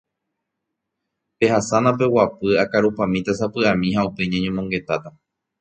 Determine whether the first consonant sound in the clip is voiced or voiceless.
voiceless